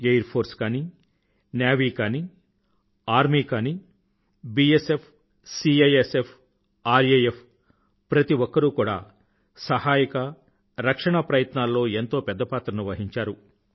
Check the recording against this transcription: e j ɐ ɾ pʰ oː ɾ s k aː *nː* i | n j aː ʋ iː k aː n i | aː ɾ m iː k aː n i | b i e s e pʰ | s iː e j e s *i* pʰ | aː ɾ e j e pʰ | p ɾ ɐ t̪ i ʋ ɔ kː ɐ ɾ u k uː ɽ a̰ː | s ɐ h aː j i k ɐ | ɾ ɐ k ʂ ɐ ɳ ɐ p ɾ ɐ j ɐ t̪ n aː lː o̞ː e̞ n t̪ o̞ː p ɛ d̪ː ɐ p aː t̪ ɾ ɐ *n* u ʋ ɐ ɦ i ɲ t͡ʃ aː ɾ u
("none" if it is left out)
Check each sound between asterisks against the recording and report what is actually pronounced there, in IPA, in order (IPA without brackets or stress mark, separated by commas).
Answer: n, e, n